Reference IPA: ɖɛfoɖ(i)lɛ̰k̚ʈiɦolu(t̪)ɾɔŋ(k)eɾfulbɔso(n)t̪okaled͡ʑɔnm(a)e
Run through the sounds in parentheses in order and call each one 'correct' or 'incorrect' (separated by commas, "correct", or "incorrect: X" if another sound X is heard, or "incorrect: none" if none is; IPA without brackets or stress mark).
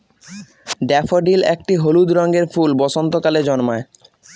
correct, incorrect: d̪, incorrect: ɡ, correct, correct